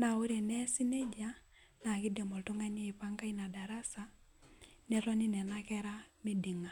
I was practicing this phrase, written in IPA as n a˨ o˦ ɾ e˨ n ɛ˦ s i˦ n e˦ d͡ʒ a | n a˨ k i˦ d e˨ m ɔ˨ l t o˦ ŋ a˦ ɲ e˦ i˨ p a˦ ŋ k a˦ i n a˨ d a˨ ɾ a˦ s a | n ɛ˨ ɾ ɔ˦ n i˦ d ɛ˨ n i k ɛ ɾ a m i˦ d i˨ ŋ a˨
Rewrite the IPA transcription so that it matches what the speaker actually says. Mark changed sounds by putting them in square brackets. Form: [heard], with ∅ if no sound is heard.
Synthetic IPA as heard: n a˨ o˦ ɾ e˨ n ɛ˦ s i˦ n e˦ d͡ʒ a | n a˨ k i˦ d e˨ m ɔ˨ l t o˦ ŋ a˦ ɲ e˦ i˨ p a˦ ŋ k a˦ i n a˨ d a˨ ɾ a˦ s a | n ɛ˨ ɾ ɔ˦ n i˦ [n] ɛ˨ n [a] k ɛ ɾ a m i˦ d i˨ ŋ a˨